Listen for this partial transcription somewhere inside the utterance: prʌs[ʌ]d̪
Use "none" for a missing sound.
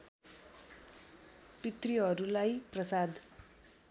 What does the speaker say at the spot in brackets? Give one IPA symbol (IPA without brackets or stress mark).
a